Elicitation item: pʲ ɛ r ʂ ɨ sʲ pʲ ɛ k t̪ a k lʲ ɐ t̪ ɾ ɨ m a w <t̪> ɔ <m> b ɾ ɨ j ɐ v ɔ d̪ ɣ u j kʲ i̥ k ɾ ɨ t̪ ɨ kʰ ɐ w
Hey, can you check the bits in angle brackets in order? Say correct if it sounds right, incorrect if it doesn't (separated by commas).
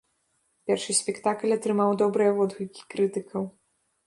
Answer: incorrect, incorrect